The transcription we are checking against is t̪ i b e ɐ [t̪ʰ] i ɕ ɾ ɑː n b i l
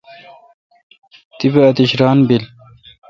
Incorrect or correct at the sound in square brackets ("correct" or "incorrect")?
incorrect